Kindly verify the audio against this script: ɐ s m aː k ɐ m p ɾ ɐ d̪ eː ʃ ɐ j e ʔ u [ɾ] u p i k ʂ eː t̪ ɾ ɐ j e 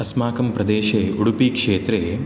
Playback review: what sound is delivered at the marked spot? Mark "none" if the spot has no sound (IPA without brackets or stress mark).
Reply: ɽ